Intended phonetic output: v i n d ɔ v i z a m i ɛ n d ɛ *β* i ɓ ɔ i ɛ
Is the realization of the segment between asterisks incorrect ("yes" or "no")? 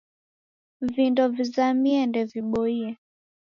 yes